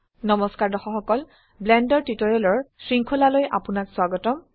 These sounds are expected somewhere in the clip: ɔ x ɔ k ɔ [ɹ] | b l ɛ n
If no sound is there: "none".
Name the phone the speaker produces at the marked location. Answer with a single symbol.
l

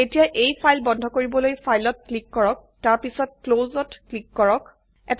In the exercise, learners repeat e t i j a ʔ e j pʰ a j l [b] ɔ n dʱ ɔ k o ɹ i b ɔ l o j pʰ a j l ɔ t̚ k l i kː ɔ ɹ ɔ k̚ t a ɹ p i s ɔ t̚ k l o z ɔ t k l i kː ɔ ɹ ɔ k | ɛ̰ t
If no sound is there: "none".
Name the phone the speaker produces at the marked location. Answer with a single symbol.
b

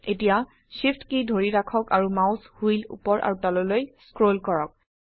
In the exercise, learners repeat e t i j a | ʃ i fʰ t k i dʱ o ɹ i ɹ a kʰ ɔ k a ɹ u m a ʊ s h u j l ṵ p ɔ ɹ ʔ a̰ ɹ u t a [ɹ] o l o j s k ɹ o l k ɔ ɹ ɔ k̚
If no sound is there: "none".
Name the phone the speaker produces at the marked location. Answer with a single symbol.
l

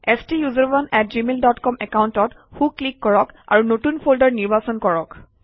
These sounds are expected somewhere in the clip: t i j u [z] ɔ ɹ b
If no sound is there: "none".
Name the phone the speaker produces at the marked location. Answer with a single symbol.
z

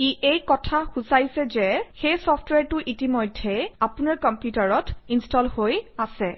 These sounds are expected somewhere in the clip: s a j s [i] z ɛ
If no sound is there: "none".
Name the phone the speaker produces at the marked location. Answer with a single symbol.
ɛ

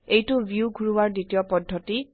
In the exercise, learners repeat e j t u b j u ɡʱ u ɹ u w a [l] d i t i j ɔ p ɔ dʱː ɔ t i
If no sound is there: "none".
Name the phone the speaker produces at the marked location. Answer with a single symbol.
ɹ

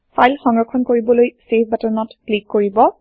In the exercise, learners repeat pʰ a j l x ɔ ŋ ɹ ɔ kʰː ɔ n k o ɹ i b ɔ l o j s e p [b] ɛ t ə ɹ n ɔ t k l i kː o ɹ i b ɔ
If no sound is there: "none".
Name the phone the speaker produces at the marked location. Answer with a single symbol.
b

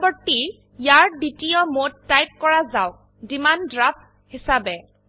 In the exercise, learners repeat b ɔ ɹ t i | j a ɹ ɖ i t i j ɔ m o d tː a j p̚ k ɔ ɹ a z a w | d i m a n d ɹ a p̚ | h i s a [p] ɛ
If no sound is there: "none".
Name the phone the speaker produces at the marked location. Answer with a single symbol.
b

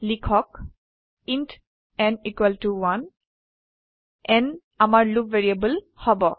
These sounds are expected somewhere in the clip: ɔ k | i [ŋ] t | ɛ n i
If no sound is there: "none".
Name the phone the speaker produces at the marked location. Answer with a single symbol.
n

